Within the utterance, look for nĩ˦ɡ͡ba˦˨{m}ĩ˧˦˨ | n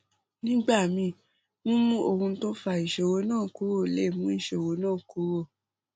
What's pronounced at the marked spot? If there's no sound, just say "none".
m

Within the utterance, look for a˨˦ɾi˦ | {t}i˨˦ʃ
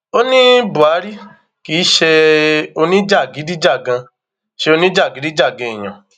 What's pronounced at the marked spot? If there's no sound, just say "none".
k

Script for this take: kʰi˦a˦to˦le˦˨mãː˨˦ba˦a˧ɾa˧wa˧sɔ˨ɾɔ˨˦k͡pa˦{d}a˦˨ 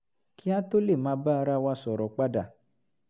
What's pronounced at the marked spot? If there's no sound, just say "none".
d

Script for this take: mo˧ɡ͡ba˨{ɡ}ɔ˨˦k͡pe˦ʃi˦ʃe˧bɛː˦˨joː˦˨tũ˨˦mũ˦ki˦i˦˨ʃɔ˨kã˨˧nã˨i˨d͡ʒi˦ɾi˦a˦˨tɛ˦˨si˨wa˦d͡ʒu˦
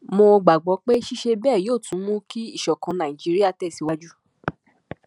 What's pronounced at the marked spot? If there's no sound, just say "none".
ɡ͡b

